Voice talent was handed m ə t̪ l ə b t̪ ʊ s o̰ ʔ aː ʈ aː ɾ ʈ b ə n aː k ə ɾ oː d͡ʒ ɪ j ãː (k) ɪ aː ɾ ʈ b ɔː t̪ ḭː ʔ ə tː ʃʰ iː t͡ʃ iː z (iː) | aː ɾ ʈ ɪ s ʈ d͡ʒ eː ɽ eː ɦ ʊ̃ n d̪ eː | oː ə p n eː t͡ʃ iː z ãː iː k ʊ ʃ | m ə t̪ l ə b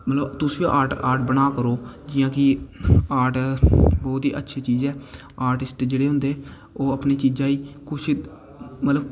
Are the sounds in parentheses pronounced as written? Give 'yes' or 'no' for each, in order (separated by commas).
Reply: yes, no